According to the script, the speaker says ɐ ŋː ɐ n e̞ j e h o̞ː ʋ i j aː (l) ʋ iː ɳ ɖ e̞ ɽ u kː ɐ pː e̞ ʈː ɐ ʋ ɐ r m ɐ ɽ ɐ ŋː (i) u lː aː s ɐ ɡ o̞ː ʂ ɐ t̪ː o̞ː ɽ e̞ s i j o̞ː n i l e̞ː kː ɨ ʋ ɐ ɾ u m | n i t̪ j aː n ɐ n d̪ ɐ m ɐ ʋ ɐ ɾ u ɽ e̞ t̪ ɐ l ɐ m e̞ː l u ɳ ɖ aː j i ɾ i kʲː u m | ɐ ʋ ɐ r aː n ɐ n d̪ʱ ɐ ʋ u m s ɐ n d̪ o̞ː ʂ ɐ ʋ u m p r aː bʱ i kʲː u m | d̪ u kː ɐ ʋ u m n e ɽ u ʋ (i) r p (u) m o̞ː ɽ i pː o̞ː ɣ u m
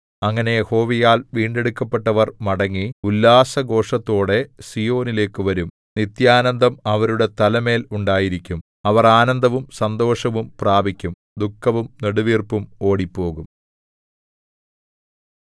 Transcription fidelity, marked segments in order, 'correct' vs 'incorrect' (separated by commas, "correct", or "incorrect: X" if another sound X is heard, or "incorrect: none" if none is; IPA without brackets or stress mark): correct, correct, incorrect: iː, correct